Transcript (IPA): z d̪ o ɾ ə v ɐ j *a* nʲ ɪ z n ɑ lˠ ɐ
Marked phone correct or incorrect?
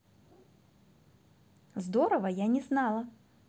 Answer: correct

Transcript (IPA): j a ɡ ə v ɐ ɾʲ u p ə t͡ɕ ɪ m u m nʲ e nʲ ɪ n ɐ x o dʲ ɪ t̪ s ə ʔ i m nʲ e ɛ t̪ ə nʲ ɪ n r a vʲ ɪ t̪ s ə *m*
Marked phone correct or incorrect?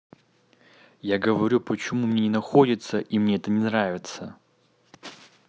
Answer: incorrect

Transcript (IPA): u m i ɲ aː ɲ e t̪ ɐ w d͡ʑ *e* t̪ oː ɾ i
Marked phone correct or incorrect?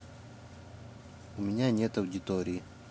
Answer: incorrect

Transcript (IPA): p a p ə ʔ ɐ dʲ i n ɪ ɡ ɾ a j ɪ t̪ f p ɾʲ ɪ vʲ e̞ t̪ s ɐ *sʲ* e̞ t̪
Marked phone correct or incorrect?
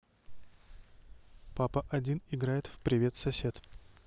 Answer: correct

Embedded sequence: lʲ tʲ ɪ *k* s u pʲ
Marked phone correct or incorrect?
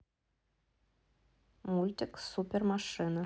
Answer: correct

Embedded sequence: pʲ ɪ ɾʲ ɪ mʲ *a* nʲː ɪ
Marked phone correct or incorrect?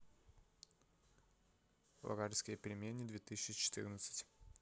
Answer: incorrect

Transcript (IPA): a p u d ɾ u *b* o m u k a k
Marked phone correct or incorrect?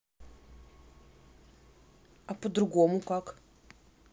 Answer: incorrect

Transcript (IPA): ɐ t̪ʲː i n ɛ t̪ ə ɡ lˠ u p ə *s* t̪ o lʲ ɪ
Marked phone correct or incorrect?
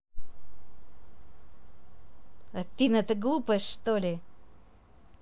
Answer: incorrect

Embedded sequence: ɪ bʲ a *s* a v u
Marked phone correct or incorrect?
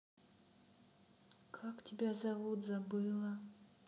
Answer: incorrect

